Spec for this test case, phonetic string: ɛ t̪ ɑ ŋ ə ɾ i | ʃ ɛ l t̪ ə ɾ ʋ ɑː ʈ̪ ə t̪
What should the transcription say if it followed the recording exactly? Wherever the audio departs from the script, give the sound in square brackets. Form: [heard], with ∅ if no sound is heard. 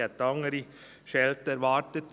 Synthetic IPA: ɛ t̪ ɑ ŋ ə ɾ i | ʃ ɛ l t̪ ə ɾ ʋ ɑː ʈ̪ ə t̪